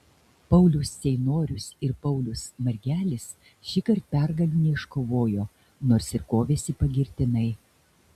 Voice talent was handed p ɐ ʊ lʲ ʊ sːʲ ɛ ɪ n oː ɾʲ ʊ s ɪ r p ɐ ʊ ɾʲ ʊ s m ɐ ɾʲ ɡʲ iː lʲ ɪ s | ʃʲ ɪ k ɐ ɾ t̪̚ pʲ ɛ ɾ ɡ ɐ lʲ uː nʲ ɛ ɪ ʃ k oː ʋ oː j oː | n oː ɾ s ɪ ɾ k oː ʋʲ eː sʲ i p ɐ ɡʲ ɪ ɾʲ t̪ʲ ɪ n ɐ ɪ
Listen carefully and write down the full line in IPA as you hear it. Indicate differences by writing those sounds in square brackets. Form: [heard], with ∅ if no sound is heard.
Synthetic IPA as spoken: p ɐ ʊ lʲ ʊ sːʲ ɛ ɪ n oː ɾʲ ʊ s ɪ [ɾ] p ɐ ʊ [lʲ] ʊ s m ɐ ɾʲ ɡʲ [æː] lʲ ɪ s | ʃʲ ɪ k ɐ ɾ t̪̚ pʲ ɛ ɾ ɡ ɐ lʲ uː nʲ ɛ ɪ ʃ k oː ʋ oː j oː | n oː ɾ s ɪ ɾ k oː ʋʲ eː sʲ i p ɐ ɡʲ ɪ ɾʲ t̪ʲ ɪ n ɐ ɪ

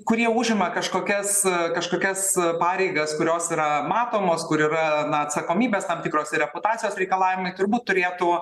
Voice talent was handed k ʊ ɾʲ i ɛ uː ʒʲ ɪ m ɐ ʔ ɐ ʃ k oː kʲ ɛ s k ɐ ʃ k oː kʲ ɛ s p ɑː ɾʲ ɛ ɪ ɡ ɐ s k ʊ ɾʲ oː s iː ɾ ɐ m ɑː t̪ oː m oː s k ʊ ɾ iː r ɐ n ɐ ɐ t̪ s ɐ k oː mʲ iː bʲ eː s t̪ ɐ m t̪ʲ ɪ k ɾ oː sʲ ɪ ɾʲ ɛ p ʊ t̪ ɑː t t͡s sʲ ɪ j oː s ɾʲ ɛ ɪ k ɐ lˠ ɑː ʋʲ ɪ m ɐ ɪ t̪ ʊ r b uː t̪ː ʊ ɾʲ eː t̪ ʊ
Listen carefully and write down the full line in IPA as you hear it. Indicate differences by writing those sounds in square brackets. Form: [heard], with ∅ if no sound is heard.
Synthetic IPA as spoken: k ʊ ɾʲ i ɛ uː ʒʲ ɪ m ɐ [k] ɐ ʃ k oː kʲ ɛ s k ɐ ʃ k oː kʲ ɛ s p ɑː ɾʲ ɛ ɪ ɡ ɐ s k ʊ ɾʲ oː s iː ɾ ɐ m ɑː t̪ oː m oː s k ʊ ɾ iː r ɐ n ɐ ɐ t̪ s ɐ k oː mʲ iː bʲ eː s t̪ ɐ m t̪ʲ ɪ k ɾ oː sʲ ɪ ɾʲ ɛ p ʊ t̪ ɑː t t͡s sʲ ɪ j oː s ɾʲ ɛ ɪ k ɐ lˠ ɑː ʋʲ ɪ m ɐ ɪ t̪ ʊ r b uː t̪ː ʊ ɾʲ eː t̪ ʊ

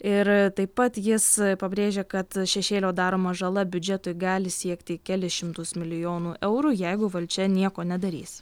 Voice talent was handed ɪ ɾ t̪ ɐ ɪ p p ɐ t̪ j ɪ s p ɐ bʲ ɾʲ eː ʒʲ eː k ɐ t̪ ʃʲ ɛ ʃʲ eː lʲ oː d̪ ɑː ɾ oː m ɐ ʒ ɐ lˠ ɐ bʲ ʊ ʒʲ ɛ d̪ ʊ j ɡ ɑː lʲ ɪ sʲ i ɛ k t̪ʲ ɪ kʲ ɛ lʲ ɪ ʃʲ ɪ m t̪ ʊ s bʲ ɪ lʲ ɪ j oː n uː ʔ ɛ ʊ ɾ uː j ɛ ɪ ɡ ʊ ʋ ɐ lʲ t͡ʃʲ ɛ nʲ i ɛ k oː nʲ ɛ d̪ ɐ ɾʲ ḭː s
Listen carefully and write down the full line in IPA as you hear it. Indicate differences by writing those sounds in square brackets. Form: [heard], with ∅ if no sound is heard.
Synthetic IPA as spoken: ɪ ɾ t̪ ɐ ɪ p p ɐ t̪ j ɪ s p ɐ bʲ ɾʲ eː ʒʲ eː k ɐ t̪ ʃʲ ɛ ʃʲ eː lʲ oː d̪ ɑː ɾ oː m ɐ ʒ ɐ lˠ ɐ bʲ ʊ [d͡ʒʲ] ɛ [t̪] ʊ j ɡ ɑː lʲ ɪ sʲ i ɛ k t̪ʲ ɪ kʲ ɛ lʲ ɪ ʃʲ ɪ m t̪ ʊ s [mʲ] ɪ lʲ ɪ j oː n uː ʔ ɛ ʊ ɾ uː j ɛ ɪ ɡ ʊ ʋ ɐ lʲ t͡ʃʲ ɛ nʲ i ɛ k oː nʲ ɛ d̪ ɐ ɾʲ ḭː s

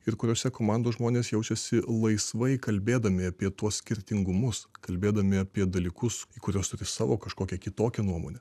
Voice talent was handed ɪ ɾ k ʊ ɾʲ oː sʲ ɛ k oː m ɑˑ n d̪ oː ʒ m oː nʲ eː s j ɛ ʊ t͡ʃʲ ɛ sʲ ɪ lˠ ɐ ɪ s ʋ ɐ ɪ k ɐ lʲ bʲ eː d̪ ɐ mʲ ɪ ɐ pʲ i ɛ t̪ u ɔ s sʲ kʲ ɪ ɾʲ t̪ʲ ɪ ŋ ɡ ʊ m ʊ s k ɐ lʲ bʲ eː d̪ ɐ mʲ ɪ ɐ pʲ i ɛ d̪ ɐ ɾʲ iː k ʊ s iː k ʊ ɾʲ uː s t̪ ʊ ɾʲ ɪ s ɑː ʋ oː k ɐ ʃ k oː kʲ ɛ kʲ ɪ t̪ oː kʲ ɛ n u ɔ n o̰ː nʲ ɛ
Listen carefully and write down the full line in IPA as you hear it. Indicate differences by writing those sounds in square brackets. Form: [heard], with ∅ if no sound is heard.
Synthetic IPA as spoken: ɪ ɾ k ʊ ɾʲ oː sʲ ɛ k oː m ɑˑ n d̪ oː ʒ m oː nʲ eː s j ɛ ʊ t͡ʃʲ ɛ sʲ ɪ lˠ ɐ ɪ s ʋ ɐ ɪ k ɐ lʲ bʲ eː d̪ ɐ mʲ ɪ ɐ pʲ i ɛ t̪ u ɔ s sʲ kʲ ɪ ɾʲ t̪ʲ ɪ ŋ ɡ ʊ m ʊ s k ɐ lʲ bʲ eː d̪ ɐ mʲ ɪ ɐ pʲ i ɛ d̪ ɐ [lʲ] iː k ʊ s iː k ʊ ɾʲ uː s t̪ ʊ ɾʲ ɪ s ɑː ʋ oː k ɐ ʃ k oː kʲ ɛ kʲ ɪ t̪ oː kʲ ɛ n u ɔ [m] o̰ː nʲ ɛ

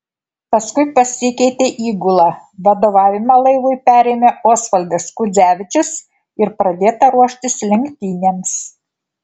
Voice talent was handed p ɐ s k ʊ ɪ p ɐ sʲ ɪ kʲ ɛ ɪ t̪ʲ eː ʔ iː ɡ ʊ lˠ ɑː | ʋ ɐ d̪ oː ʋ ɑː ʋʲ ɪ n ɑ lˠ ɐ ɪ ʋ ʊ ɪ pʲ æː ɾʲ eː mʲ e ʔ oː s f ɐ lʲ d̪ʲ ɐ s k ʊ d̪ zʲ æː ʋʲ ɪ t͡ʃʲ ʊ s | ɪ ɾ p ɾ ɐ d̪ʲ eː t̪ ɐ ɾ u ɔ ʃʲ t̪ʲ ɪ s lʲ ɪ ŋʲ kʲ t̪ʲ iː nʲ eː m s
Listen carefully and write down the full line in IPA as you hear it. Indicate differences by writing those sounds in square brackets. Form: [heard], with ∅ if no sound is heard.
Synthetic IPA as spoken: p ɐ s k ʊ ɪ p ɐ sʲ ɪ kʲ ɛ ɪ t̪ʲ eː ʔ iː ɡ ʊ lˠ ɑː | ʋ ɐ d̪ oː ʋ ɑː ʋʲ ɪ [m] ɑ lˠ ɐ ɪ ʋ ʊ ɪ pʲ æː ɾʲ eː mʲ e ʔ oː s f ɐ lʲ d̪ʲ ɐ s k ʊ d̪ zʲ æː ʋʲ ɪ t͡ʃʲ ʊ s | ɪ ɾ p ɾ ɐ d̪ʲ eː t̪ ɐ ɾ u ɔ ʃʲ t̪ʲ ɪ s lʲ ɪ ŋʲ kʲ t̪ʲ iː nʲ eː m s

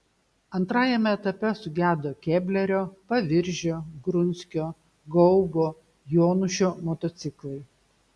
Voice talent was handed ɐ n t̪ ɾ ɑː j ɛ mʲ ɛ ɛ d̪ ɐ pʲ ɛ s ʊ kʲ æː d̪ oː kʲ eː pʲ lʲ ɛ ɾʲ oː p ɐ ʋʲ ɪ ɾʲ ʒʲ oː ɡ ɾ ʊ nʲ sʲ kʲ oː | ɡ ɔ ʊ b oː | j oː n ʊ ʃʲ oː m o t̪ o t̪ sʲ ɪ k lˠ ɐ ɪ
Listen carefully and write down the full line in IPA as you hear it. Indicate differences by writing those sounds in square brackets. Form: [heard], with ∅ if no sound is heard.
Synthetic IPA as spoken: ɐ n t̪ ɾ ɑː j ɛ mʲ ɛ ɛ [t̪] ɐ pʲ ɛ s ʊ [ɡʲ] æː d̪ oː kʲ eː [bʲ] lʲ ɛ ɾʲ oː p ɐ ʋʲ ɪ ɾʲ ʒʲ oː ɡ ɾ ʊ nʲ sʲ kʲ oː | ɡ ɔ ʊ b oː | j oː n ʊ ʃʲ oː m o t̪ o t̪ sʲ ɪ k lˠ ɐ ɪ

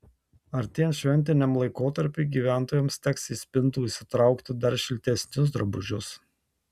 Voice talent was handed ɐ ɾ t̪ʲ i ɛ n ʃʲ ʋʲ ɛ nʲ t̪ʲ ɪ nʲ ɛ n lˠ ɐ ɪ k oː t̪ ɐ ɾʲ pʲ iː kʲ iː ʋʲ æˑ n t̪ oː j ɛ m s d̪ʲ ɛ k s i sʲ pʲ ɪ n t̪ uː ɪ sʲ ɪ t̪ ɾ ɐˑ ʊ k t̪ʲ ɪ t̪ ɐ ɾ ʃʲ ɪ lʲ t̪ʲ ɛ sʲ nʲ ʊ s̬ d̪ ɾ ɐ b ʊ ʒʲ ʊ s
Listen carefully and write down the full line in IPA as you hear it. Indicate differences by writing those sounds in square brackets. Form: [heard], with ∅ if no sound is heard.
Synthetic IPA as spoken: ɐ ɾ t̪ʲ i ɛ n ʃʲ ʋʲ ɛ nʲ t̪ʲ ɪ nʲ ɛ [m] lˠ ɐ ɪ k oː t̪ ɐ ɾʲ pʲ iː [ɡʲ] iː ʋʲ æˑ n t̪ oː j ɛ m s [t̪ʲ] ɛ k s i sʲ pʲ ɪ n t̪ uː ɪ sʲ ɪ t̪ ɾ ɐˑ ʊ k t̪ʲ ɪ [d̪] ɐ ɾ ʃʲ ɪ lʲ t̪ʲ ɛ sʲ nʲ ʊ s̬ d̪ ɾ ɐ b ʊ ʒʲ ʊ s

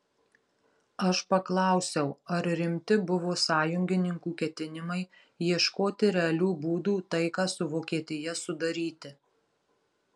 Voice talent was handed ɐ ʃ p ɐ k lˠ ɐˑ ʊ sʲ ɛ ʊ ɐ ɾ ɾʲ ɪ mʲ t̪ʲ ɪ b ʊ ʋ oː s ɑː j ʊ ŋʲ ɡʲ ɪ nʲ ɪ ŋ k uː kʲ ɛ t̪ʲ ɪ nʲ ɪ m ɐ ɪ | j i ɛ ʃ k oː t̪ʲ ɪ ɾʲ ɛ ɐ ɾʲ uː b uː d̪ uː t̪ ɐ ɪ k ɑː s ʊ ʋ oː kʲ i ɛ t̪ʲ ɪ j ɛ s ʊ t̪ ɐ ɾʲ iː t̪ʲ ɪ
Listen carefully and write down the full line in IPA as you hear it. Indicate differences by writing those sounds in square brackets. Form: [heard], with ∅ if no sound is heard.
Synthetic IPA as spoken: ɐ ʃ p ɐ k lˠ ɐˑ ʊ sʲ ɛ ʊ ɐ ɾ ɾʲ ɪ mʲ t̪ʲ ɪ b ʊ ʋ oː s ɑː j ʊ ŋʲ ɡʲ ɪ nʲ ɪ ŋ k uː kʲ ɛ t̪ʲ ɪ nʲ ɪ m ɐ ɪ | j i ɛ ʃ k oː t̪ʲ ɪ ɾʲ ɛ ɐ [lʲ] uː b uː d̪ uː t̪ ɐ ɪ k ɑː s ʊ ʋ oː kʲ i ɛ t̪ʲ ɪ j ɛ s ʊ [d̪] ɐ ɾʲ iː t̪ʲ ɪ

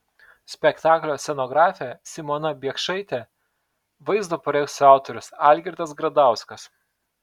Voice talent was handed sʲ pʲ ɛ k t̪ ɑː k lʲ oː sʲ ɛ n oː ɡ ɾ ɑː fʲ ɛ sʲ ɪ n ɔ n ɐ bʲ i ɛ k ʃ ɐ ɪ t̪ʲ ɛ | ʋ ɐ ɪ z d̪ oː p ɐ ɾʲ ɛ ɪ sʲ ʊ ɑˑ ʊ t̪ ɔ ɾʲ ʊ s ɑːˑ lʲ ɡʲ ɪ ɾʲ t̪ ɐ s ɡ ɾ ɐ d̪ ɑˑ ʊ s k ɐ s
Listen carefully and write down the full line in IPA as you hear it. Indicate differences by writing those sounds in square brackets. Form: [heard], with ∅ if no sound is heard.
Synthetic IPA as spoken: sʲ pʲ ɛ k t̪ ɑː k lʲ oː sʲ ɛ n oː ɡ ɾ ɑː fʲ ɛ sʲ ɪ [m] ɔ n ɐ bʲ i ɛ k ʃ ɐ ɪ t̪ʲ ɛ | ʋ ɐ ɪ z d̪ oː p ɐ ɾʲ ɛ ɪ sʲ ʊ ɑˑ ʊ t̪ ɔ ɾʲ ʊ s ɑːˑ lʲ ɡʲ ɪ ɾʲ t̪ ɐ s ɡ ɾ ɐ d̪ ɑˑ ʊ s k ɐ s

